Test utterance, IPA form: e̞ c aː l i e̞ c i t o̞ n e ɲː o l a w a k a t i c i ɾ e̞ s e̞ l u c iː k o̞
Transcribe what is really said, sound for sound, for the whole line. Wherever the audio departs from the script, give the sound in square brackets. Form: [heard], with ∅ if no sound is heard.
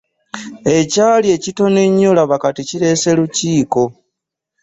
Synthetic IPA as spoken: e̞ c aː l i e̞ c i t o̞ n e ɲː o l a [β] a k a t i c i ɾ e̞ s e̞ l u c iː k o̞